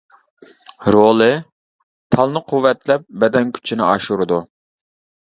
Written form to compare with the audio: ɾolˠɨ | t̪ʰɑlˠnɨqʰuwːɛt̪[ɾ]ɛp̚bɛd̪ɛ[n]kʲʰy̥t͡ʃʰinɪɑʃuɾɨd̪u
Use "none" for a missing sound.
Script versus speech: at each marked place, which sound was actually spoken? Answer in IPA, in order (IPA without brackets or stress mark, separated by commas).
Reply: l, n